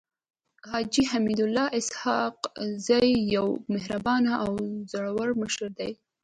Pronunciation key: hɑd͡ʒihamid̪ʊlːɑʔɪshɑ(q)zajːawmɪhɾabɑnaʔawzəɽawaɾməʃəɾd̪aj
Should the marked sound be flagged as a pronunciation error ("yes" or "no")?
no